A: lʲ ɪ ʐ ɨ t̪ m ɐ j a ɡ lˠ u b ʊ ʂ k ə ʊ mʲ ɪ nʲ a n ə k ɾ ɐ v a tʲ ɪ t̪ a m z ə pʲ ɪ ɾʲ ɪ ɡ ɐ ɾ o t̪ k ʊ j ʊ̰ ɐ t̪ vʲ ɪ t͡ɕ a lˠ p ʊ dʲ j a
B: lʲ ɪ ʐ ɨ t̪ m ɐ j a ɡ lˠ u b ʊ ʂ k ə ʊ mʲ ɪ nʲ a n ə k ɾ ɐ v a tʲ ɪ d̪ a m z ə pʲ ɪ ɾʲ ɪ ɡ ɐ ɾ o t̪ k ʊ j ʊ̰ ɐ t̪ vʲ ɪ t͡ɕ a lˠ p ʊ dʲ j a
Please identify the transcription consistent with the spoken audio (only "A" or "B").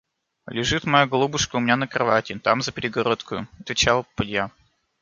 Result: A